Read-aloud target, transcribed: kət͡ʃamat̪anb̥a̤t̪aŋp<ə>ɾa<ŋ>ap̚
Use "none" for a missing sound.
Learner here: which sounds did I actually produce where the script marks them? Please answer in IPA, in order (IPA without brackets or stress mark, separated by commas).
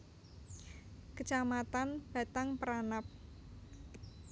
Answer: ə, n